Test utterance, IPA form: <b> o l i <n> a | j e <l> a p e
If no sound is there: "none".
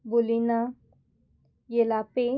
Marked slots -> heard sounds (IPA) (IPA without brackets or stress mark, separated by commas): b, n, l